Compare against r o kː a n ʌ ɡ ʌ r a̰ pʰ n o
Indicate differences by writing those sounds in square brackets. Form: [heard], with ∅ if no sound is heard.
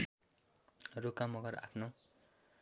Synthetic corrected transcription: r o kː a [m] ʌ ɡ ʌ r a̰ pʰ n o